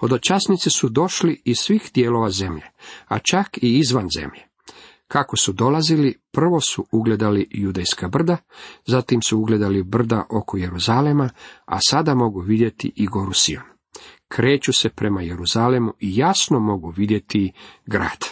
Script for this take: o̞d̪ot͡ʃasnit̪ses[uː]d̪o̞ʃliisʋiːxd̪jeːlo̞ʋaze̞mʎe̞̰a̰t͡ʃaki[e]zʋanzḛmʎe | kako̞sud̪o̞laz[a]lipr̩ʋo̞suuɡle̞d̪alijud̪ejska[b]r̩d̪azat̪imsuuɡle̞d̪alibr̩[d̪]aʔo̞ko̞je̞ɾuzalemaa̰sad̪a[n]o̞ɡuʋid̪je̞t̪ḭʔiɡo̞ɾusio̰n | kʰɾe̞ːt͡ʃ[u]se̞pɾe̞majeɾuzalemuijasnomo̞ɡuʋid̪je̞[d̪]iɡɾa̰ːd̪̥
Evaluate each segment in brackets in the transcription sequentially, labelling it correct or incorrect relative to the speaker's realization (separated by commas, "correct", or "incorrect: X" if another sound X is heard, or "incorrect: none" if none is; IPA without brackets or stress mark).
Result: incorrect: u, incorrect: i, incorrect: i, correct, correct, incorrect: m, correct, incorrect: t̪